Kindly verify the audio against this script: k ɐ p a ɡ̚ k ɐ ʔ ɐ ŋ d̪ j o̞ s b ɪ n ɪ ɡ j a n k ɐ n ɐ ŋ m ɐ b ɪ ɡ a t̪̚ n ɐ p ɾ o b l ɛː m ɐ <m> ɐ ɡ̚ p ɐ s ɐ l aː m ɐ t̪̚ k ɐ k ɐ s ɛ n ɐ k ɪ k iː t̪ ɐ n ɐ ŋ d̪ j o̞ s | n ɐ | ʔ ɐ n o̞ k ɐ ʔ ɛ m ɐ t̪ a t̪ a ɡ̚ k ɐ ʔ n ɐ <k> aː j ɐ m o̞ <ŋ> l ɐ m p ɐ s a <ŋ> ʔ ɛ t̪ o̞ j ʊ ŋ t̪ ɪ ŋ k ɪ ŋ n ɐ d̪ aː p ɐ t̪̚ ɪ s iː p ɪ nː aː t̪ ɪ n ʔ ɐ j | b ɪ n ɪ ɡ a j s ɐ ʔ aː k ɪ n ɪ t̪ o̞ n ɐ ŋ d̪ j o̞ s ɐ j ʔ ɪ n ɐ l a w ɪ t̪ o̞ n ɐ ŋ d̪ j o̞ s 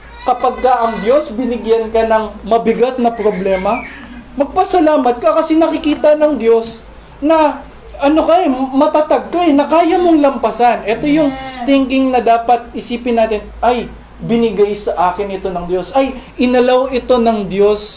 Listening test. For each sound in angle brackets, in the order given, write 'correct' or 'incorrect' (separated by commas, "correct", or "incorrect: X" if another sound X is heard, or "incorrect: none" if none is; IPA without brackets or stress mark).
correct, correct, correct, incorrect: n